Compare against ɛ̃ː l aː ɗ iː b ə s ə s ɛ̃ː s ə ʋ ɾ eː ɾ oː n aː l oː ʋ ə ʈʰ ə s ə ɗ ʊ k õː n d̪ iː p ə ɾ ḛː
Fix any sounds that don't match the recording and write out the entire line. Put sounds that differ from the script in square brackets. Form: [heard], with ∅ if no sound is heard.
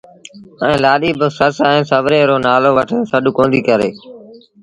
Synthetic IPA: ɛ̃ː l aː ɗ iː b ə s ə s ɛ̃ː s ə ʋ ɾ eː ɾ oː n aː l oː ʋ ə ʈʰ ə s ə ɗ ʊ k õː n d̪ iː [k] ə ɾ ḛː